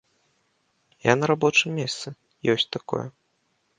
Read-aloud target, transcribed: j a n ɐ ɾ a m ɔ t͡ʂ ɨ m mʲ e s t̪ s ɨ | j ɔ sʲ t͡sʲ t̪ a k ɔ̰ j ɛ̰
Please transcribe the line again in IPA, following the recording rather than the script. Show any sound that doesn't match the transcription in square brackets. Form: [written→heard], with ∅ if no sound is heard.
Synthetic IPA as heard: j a n ɐ ɾ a [m→b] ɔ t͡ʂ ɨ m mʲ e s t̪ s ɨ | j ɔ sʲ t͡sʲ t̪ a k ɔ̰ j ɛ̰